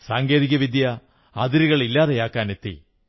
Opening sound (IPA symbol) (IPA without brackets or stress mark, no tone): s